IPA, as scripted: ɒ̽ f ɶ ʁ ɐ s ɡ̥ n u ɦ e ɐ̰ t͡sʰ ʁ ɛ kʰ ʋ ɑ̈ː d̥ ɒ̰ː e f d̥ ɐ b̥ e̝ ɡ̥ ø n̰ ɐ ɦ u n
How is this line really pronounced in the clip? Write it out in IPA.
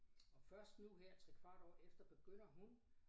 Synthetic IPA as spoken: ɒ̽ f ɶ ɐ s d̥ n u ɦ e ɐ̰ t͡sʰ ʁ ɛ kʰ ʋ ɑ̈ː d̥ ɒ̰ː e f d̥ ɐ b̥ e̝ ɡ̥ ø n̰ ɐ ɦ u n